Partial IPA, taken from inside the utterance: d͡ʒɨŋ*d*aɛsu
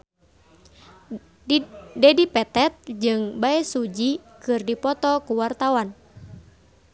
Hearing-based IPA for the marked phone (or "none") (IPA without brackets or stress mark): b